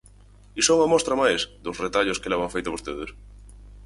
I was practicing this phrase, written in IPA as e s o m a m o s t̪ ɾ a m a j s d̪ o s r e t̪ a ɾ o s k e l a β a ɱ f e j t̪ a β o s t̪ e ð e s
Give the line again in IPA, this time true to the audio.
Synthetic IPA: i s o ŋ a m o s t̪ ɾ a m a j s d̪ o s r e t̪ a ʎ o s k e l a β a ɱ f e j t̪ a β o s t̪ e ð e s